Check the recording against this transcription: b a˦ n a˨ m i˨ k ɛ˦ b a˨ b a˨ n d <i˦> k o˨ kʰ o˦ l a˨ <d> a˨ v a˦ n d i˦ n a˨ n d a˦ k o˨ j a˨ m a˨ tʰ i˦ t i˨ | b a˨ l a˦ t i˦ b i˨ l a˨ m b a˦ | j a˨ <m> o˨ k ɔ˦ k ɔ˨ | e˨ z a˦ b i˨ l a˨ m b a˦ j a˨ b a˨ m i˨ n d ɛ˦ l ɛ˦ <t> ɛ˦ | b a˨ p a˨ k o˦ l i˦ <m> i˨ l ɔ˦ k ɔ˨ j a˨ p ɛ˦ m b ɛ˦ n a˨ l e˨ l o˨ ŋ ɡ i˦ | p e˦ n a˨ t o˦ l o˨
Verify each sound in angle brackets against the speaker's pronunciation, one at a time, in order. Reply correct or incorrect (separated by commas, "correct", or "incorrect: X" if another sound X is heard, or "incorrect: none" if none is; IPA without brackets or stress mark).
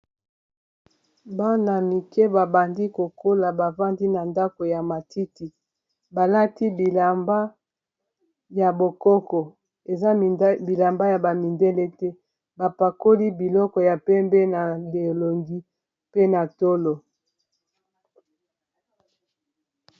correct, incorrect: b, incorrect: b, correct, incorrect: b